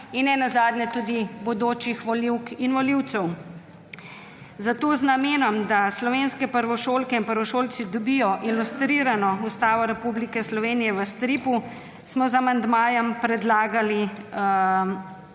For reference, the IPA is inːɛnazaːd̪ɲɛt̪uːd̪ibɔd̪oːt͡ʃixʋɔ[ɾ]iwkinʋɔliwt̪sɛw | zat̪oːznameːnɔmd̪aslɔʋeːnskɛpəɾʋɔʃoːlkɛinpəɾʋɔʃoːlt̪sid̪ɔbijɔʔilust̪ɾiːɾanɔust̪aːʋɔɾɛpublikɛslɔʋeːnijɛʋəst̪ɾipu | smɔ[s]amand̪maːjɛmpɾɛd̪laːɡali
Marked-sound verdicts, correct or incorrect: incorrect, incorrect

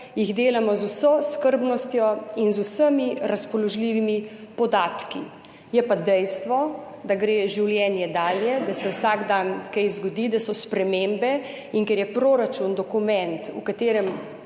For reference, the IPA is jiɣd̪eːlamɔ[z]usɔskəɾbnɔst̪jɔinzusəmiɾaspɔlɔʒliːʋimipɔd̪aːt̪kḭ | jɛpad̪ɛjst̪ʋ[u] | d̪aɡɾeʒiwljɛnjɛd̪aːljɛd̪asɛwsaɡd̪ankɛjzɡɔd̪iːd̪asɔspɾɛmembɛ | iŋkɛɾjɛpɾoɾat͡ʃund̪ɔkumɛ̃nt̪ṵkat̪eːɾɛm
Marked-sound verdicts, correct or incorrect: correct, incorrect

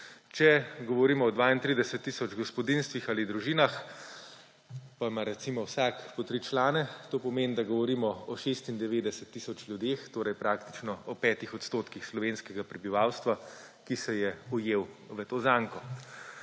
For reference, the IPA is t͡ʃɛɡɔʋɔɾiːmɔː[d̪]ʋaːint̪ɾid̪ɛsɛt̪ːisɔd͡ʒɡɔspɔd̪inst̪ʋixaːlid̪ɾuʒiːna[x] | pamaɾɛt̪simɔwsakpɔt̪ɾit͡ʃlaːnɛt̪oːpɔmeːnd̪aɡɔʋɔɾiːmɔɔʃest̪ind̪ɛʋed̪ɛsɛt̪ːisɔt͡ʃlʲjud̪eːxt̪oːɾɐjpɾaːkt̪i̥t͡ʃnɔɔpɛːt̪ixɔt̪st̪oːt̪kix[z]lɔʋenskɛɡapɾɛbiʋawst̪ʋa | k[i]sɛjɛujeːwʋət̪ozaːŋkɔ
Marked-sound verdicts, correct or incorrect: correct, correct, incorrect, correct

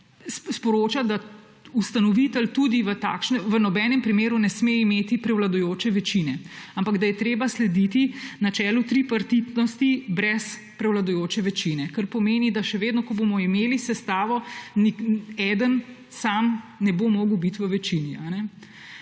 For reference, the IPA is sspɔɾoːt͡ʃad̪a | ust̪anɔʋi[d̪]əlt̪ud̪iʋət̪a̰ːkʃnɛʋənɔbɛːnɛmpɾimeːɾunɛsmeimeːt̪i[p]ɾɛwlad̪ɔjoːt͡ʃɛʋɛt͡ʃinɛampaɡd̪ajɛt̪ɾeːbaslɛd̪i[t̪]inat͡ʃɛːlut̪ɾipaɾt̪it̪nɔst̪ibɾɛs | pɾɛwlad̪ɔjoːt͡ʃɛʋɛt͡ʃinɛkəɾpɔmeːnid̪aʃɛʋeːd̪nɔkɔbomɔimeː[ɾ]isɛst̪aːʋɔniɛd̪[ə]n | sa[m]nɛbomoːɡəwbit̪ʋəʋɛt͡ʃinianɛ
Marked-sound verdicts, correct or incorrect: incorrect, correct, correct, incorrect, correct, correct

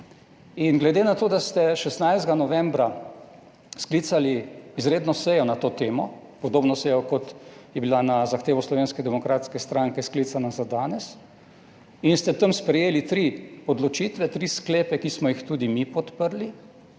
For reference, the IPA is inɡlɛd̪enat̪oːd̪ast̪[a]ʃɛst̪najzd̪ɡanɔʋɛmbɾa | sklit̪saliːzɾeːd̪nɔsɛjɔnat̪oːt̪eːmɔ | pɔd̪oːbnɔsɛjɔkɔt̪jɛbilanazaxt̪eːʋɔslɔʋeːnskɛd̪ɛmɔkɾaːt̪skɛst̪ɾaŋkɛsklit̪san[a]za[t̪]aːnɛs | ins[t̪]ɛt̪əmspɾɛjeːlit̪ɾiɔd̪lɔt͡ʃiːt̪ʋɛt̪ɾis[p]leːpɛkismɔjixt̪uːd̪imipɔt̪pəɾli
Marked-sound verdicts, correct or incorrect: incorrect, correct, incorrect, correct, incorrect

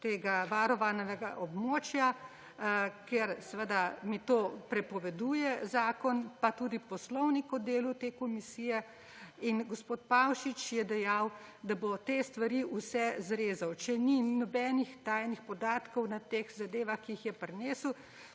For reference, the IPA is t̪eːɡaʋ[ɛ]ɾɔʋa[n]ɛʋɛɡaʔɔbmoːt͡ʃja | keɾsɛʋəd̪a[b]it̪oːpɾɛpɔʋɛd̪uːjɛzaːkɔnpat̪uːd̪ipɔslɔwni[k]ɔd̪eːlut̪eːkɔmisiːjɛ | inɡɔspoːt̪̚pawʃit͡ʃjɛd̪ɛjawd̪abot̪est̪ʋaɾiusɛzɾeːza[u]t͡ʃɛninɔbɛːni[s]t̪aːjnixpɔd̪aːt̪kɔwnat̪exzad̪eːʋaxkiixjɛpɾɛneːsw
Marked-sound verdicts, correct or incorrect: incorrect, correct, incorrect, correct, incorrect, incorrect

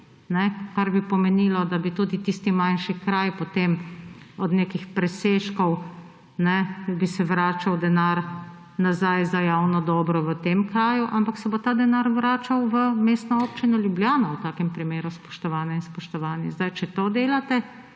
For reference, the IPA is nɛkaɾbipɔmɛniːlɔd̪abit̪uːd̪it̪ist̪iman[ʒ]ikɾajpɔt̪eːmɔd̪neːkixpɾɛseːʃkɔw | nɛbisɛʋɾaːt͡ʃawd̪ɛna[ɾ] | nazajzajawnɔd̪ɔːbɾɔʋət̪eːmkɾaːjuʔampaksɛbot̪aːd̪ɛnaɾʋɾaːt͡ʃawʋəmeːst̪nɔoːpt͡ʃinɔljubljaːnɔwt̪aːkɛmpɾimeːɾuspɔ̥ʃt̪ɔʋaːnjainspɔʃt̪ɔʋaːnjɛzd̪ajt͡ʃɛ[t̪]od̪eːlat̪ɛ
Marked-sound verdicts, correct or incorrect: incorrect, correct, correct

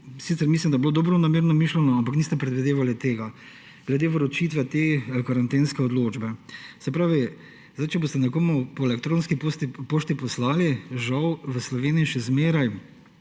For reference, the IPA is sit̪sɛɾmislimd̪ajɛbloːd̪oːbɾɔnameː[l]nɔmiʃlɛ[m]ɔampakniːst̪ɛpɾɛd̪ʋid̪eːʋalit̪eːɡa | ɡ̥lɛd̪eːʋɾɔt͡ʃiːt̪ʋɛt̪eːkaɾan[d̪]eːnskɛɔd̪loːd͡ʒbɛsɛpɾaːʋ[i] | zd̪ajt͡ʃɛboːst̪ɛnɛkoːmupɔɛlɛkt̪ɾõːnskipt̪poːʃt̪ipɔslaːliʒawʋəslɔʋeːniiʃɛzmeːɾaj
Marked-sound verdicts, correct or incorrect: incorrect, incorrect, incorrect, correct

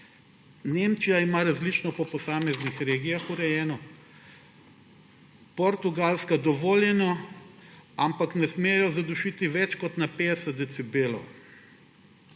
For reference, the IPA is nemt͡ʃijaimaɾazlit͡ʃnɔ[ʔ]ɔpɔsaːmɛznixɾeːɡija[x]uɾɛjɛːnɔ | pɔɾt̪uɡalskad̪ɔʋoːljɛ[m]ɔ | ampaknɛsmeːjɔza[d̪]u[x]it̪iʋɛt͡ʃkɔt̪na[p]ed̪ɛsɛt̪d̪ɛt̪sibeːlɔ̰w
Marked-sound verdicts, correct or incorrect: incorrect, correct, incorrect, correct, incorrect, correct

